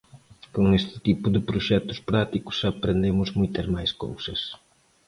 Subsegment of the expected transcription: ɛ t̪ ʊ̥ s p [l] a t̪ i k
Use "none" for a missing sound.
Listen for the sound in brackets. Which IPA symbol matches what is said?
ɾ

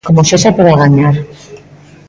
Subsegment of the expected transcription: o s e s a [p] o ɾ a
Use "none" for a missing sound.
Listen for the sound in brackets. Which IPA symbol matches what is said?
p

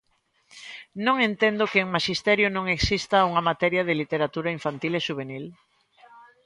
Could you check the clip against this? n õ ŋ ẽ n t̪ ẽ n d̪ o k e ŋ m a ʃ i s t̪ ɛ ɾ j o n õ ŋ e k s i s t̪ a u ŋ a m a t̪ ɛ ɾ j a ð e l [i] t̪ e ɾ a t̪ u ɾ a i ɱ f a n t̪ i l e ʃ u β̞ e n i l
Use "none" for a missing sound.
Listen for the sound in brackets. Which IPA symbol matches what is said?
i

